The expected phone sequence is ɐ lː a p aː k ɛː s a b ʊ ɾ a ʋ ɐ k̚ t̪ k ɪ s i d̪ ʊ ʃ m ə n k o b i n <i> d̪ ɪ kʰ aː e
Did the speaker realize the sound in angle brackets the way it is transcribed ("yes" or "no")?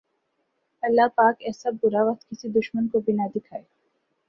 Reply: no